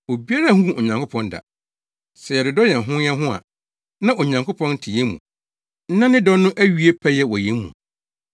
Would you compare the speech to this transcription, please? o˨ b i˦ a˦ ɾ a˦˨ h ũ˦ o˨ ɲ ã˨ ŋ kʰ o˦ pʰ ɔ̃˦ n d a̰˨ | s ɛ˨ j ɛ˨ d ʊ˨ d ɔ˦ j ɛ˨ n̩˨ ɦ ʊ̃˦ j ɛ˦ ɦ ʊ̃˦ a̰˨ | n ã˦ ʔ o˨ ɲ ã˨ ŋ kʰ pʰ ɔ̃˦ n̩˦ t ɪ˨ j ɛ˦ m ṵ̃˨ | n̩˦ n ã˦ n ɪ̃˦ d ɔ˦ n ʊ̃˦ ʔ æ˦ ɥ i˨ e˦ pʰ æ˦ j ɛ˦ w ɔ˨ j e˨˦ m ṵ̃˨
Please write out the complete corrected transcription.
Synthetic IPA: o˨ b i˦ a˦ ɾ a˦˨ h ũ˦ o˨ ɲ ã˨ ŋ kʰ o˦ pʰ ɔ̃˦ n d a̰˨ | s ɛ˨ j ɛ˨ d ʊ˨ d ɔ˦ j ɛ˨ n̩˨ ɦ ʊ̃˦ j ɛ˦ ɦ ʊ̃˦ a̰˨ | n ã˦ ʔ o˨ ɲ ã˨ ŋ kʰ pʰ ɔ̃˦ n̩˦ tʰ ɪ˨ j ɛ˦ m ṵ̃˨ | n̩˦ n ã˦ n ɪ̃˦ d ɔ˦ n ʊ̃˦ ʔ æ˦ ɥ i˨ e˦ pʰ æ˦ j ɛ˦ w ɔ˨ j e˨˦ m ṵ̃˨